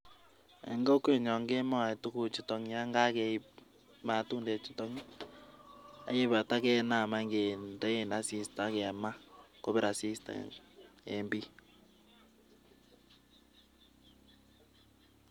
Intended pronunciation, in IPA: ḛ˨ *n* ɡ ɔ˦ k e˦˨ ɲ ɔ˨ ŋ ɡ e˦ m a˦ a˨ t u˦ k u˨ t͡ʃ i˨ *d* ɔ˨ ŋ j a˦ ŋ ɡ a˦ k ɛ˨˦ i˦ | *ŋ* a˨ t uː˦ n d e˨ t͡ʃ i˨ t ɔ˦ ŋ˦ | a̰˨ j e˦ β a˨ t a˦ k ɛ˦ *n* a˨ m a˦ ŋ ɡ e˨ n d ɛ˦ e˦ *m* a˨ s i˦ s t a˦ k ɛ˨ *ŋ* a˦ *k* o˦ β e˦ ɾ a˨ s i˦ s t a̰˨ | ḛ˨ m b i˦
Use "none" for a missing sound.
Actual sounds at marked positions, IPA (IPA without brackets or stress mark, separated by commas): ŋ, t, m, n, n, m, k